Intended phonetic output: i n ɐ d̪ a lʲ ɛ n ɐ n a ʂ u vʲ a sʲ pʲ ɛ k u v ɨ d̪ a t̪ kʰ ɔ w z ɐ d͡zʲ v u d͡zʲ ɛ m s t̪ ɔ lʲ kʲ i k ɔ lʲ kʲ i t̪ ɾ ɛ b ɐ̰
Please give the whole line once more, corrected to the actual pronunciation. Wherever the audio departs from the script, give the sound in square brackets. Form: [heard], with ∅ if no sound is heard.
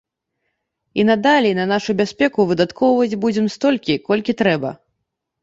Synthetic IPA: i n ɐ d̪ a lʲ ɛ n ɐ n a ʂ u [bʲ] a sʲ pʲ ɛ k u v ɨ d̪ a t̪ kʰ ɔ w [v] ɐ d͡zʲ [b] u d͡zʲ ɛ m s t̪ ɔ lʲ kʲ i k ɔ lʲ kʲ i t̪ ɾ ɛ b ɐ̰